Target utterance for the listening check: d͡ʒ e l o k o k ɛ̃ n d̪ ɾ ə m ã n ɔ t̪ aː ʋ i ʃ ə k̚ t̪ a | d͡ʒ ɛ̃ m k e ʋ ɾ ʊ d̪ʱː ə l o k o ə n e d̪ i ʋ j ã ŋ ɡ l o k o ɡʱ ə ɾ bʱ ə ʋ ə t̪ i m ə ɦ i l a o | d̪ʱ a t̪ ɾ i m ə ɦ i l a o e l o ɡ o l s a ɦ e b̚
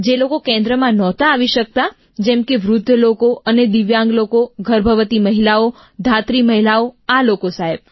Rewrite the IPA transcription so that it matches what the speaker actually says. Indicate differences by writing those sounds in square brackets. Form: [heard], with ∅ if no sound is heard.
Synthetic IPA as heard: d͡ʒ e l o k o k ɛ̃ n d̪ ɾ ə m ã n ɔ t̪ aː ʋ i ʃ ə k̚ t̪ a | d͡ʒ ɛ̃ m k e ʋ ɾ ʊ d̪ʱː ə l o k o ə n e d̪ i ʋ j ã ŋ ɡ l o k o ɡʱ ə ɾ bʱ ə ʋ ə t̪ i m ə ɦ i l a o | d̪ʱ a t̪ ɾ i m ə ɦ i l a o [a] l o [k] o [∅] s a ɦ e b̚